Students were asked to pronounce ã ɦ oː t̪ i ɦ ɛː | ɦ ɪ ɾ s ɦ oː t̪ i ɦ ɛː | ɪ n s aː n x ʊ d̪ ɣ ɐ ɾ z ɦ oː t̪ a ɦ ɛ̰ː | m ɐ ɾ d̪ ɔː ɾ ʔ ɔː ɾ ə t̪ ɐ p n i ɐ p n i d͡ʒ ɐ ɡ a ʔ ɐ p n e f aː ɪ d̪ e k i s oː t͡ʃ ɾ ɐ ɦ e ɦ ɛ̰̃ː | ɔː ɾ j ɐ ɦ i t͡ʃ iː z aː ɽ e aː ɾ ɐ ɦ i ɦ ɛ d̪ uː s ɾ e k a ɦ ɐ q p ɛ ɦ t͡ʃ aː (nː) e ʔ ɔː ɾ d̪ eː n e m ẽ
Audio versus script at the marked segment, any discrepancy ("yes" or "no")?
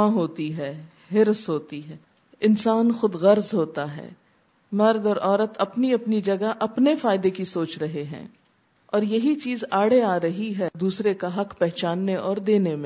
no